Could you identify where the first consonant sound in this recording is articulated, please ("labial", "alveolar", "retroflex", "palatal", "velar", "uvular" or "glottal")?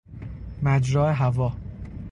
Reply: labial